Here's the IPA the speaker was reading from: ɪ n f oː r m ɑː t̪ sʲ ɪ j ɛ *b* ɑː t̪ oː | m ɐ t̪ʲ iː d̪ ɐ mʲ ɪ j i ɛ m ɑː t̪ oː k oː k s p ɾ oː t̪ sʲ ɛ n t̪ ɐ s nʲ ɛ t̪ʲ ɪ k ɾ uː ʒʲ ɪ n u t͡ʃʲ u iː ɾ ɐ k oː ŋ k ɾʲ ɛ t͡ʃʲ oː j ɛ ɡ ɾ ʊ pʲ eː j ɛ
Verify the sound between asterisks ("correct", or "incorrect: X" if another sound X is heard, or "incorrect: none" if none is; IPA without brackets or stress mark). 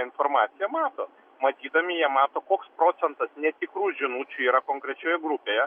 incorrect: m